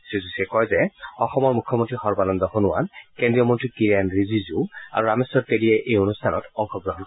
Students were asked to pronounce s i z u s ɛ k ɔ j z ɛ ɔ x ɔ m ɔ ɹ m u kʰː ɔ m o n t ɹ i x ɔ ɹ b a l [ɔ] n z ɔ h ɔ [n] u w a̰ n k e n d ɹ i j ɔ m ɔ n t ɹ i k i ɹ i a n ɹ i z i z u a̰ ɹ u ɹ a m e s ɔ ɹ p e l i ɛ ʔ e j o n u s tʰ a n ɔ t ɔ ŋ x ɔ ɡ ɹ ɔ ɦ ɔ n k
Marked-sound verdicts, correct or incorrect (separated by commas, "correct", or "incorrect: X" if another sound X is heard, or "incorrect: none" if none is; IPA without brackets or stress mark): correct, correct